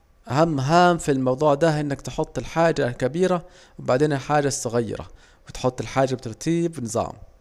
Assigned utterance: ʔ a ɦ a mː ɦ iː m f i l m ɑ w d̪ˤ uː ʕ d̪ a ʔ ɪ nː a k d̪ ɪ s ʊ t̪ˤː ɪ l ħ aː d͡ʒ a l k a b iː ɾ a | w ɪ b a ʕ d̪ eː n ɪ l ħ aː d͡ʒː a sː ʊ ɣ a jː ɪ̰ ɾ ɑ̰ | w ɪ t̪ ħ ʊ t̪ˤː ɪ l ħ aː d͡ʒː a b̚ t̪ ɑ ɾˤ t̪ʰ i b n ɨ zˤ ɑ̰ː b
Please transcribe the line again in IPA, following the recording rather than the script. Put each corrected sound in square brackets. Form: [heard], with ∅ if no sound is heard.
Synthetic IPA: ʔ a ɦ a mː ɦ [aː] m f i l m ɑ w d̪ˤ uː ʕ d̪ a ʔ ɪ nː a k [t̪] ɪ [ħ] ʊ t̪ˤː ɪ l ħ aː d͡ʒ a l k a b iː ɾ a | w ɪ b a ʕ d̪ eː n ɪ l ħ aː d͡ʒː a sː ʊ ɣ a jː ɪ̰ ɾ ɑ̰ | w ɪ t̪ ħ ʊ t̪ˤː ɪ l ħ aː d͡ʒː a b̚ t̪ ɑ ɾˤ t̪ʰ [iː] b n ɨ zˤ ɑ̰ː [m]